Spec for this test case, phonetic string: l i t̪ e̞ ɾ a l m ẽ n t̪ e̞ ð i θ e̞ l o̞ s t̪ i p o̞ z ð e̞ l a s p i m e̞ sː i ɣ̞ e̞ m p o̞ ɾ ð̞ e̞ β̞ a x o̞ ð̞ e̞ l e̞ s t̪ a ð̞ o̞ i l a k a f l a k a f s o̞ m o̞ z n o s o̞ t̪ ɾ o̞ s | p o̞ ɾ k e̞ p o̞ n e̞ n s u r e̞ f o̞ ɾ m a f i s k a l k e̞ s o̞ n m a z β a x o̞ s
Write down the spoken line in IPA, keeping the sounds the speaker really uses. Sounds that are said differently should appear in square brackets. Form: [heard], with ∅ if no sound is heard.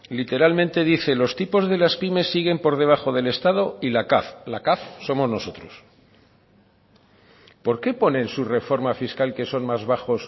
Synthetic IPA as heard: l i t̪ e̞ ɾ a l m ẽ n t̪ e̞ ð i θ e̞ l o̞ s t̪ i p o̞ z ð e̞ l a s p i m e̞ sː i ɣ̞ e̞ m p o̞ ɾ ð̞ e̞ β̞ a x o̞ ð̞ e̞ l e̞ s t̪ a ð̞ o̞ i l a k a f l a k a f s o̞ m o̞ z n o s o̞ t̪ ɾ o̞ s | p o̞ ɾ k e̞ p o̞ n e̞ n s u r e̞ f o̞ ɾ m a f i s k a l k e̞ s o̞ n m a z β a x o̞ s